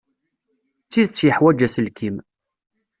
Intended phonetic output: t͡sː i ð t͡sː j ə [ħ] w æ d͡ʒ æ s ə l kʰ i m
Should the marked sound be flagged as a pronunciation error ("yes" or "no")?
no